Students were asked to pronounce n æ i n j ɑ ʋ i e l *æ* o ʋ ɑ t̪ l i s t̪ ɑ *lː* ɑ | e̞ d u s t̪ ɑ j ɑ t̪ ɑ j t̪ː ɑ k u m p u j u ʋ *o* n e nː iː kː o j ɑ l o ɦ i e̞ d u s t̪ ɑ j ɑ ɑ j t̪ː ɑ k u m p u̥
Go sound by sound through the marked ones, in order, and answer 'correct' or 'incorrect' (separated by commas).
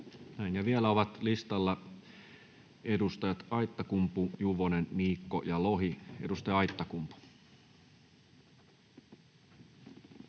correct, correct, correct